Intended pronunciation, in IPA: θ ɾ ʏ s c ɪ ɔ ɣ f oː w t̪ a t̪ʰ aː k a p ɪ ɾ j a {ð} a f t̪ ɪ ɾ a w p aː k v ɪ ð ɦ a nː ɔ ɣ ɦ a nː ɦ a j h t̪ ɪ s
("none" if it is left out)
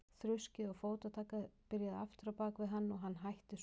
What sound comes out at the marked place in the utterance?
ð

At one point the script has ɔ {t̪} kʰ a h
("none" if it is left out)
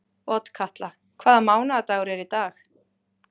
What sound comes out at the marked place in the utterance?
t̪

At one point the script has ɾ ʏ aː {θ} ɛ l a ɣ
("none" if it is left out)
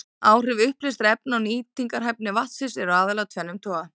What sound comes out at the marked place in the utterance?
ð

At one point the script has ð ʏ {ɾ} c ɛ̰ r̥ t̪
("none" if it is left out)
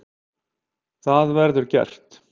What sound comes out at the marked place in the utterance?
ɾ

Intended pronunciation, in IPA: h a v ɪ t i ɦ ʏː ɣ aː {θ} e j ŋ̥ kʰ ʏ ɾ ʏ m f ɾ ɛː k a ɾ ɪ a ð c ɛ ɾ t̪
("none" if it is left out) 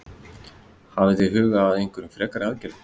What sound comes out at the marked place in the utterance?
ð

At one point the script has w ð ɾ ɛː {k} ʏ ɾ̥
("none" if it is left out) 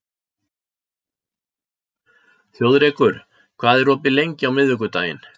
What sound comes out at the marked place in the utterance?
k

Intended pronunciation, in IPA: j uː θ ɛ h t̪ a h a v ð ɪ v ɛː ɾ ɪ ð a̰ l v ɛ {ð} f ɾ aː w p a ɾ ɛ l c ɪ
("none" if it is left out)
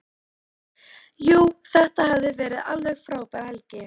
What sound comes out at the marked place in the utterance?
ɣ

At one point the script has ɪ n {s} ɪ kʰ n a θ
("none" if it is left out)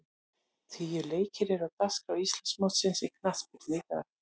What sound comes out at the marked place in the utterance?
s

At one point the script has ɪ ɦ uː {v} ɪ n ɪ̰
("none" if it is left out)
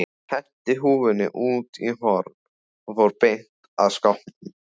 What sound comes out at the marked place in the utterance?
v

